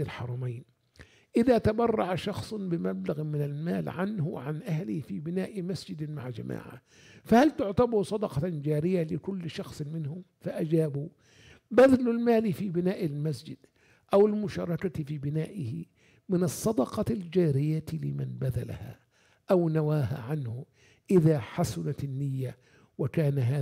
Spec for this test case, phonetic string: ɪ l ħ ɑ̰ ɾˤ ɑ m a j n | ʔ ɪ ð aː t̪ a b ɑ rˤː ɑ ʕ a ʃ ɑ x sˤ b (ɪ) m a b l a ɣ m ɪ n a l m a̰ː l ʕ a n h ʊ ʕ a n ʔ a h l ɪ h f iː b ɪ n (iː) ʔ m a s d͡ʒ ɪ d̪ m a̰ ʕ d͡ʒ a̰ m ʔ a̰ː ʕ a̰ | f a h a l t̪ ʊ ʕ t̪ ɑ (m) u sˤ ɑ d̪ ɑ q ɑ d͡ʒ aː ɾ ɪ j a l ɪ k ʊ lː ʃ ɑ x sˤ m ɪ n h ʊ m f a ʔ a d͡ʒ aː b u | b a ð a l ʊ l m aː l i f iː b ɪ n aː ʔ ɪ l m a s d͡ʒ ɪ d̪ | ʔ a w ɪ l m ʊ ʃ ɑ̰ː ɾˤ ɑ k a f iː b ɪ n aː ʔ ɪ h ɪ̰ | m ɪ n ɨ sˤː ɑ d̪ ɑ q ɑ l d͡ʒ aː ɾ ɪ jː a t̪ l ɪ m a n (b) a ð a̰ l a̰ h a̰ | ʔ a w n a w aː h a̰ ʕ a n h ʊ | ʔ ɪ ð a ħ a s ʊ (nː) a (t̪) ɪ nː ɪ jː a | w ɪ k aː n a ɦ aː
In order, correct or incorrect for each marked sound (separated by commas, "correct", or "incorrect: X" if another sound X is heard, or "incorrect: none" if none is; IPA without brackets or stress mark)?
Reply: correct, incorrect: aː, incorrect: b, correct, incorrect: n, correct